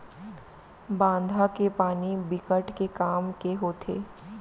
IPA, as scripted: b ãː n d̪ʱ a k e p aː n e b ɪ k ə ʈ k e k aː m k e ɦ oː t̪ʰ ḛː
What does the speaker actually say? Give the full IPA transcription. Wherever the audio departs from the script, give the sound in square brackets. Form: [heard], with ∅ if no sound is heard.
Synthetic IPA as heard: b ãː n d̪ʱ a k e p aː n [i] b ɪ k ə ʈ k e k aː m k e ɦ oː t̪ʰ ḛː